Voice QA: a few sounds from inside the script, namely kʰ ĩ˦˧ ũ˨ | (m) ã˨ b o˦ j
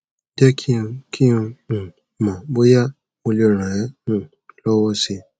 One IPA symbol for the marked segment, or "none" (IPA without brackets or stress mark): m